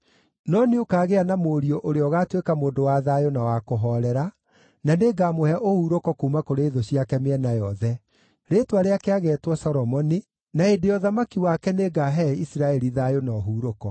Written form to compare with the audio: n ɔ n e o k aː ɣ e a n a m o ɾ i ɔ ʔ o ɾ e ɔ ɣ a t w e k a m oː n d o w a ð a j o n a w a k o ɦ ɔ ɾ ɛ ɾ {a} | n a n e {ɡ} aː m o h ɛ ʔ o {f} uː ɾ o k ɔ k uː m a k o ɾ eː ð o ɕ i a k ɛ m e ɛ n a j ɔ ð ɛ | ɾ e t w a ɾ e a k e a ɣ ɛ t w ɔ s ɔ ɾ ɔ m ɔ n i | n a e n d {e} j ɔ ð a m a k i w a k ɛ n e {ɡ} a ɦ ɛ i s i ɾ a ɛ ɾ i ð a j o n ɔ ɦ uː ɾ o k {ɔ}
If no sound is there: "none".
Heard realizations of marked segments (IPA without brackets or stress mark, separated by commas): a, ɡ, h, e, ɡ, ɔ